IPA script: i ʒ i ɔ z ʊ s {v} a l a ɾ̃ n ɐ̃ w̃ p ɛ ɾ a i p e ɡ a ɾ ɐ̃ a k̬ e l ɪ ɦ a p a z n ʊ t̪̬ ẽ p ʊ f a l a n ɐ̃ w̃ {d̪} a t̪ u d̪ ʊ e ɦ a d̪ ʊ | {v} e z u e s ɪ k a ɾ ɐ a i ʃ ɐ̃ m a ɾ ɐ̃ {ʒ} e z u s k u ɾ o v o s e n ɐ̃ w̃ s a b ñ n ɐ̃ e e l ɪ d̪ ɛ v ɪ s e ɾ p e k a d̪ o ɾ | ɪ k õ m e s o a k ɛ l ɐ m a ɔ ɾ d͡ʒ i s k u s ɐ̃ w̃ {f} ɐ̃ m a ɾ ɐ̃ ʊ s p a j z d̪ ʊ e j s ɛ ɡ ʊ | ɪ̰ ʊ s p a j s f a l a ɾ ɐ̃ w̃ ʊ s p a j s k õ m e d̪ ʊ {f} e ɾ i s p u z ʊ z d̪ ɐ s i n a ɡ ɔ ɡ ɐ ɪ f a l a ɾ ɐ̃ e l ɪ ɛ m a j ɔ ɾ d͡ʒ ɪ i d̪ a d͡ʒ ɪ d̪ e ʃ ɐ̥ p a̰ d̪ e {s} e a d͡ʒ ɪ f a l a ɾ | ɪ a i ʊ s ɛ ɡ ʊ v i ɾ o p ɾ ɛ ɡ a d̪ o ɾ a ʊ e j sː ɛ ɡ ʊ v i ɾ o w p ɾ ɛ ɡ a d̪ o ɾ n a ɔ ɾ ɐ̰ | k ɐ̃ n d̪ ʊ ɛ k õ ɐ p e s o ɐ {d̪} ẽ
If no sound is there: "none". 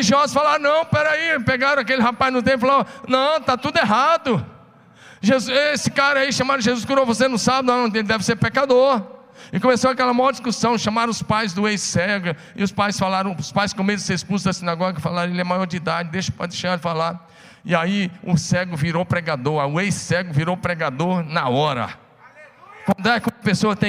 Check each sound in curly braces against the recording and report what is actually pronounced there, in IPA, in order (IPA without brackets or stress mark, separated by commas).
f, t̪, ʒ, ʒ, ʃ, s, ʃ, t̪